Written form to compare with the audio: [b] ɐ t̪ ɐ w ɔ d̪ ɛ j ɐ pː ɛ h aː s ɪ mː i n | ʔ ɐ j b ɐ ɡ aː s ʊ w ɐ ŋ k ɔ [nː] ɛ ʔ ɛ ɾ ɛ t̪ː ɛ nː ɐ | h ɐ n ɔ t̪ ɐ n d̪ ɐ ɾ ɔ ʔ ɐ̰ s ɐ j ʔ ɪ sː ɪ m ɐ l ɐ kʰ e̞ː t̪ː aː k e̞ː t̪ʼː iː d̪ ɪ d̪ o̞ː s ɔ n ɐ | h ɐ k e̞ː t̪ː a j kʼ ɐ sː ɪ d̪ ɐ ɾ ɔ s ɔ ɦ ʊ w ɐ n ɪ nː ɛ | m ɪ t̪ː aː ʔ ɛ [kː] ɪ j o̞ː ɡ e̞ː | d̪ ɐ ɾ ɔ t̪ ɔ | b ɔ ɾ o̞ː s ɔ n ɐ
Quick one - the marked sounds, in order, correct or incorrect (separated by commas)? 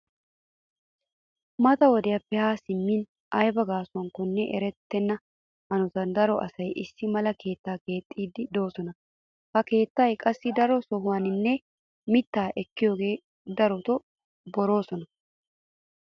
incorrect, correct, correct